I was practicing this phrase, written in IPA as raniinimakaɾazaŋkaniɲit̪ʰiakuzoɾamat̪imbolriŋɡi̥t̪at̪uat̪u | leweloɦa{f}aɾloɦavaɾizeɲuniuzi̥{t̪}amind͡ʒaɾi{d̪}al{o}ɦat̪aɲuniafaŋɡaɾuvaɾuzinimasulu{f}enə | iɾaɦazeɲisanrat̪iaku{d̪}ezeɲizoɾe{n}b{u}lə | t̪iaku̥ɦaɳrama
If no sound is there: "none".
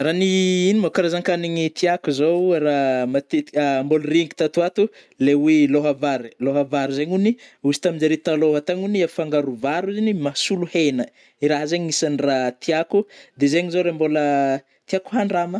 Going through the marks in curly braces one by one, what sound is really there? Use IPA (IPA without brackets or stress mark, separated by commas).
v, t̪, t̪, o, h, d̪, m, o